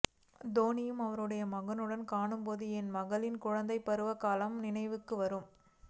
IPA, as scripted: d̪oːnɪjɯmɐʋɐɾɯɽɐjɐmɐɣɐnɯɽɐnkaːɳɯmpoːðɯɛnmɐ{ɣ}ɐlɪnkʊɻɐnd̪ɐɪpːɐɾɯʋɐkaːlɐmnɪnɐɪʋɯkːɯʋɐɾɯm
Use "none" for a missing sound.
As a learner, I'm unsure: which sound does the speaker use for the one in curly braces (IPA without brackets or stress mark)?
ɣ